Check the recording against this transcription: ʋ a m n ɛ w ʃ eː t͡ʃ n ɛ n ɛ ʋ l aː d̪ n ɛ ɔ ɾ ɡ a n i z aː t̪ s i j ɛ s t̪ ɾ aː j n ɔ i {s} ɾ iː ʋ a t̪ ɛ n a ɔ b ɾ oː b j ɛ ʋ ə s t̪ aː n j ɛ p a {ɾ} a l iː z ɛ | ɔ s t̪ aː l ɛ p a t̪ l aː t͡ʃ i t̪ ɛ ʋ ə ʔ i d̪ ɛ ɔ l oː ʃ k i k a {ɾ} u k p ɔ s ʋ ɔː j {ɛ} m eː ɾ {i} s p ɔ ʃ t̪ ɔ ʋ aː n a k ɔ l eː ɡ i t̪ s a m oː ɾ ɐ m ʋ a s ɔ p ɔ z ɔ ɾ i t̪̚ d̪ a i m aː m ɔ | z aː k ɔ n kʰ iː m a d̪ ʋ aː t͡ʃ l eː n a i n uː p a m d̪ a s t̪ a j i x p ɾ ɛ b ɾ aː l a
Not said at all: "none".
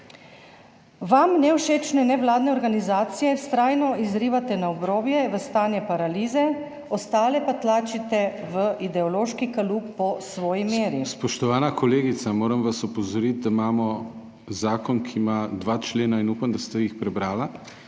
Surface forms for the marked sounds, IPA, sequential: z, ɾ, l, i, i

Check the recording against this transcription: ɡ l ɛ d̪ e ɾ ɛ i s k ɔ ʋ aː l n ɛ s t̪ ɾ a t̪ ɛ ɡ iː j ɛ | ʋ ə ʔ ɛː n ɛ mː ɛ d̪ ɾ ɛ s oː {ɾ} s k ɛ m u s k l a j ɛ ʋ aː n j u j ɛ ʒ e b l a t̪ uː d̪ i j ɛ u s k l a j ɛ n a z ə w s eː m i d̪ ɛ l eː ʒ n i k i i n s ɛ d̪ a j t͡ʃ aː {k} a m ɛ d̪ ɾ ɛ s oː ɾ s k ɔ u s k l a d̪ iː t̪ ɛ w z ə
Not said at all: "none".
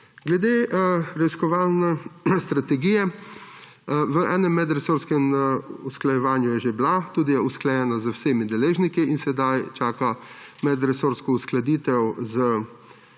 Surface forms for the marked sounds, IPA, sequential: ɾ, k

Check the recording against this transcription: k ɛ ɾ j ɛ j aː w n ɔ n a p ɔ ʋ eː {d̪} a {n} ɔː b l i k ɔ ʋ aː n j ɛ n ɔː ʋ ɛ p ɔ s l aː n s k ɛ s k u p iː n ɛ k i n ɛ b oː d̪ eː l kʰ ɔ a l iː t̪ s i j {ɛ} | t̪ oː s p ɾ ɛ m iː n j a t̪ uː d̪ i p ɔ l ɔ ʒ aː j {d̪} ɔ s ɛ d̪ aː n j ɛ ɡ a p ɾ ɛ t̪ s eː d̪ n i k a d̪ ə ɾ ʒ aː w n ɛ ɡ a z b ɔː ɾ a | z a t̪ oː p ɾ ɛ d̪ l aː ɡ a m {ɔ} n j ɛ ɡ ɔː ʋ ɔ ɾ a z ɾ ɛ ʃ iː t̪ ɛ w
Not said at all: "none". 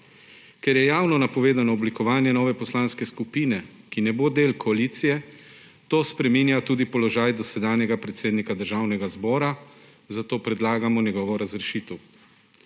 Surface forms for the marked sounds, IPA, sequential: d̪, n, ɛ, d̪, ɔ

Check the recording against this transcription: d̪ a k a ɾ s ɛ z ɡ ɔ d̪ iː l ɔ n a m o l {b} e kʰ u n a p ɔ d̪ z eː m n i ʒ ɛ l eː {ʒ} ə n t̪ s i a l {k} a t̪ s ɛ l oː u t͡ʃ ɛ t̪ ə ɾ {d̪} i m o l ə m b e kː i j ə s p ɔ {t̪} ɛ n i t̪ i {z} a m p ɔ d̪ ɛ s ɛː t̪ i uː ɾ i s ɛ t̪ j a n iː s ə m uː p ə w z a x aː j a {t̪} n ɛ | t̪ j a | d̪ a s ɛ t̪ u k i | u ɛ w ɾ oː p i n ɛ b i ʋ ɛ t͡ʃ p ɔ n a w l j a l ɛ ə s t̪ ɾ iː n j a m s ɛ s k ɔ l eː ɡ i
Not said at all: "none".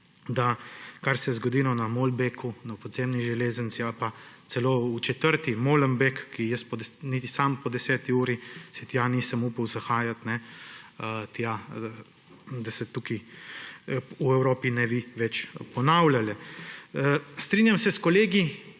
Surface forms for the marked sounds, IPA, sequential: b, z, p, t̪, d̪, s, t̪

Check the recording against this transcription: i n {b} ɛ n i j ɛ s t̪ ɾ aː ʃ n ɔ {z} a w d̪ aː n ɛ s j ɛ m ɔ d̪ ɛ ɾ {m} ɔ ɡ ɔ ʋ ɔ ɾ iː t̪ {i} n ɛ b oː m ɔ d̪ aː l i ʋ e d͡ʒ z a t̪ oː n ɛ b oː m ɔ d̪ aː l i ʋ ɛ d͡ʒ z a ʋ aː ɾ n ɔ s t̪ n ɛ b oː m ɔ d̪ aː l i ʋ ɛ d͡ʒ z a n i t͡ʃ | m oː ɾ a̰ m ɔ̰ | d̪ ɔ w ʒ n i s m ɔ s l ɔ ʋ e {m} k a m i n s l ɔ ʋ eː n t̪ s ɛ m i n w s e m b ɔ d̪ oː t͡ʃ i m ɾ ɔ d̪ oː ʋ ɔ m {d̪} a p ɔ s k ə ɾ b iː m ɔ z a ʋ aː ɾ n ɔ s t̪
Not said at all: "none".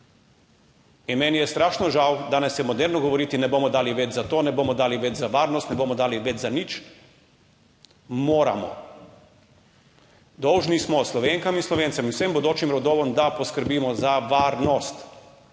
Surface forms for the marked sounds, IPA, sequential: m, ʒ, n, i, ŋ, d̪

